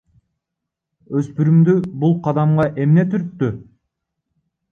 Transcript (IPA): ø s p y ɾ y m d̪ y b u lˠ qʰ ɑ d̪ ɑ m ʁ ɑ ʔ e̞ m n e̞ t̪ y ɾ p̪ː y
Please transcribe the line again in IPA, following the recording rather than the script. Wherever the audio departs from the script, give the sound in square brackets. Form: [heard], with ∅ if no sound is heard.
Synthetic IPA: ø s p y ɾ y m d̪ y b u lˠ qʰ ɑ d̪ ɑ m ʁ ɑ ʔ e̞ m n e̞ t̪ y ɾ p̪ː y